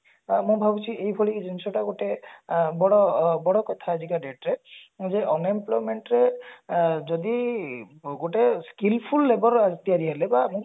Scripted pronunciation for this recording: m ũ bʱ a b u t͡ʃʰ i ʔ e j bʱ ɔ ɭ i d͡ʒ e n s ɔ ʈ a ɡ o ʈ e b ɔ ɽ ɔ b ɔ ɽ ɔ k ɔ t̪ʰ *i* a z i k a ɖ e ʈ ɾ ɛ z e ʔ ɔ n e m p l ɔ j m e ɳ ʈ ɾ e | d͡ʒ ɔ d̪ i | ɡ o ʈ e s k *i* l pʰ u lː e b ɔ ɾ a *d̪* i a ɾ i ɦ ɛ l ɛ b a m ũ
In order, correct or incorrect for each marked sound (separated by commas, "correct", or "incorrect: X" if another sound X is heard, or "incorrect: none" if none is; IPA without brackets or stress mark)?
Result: incorrect: a, correct, incorrect: t̪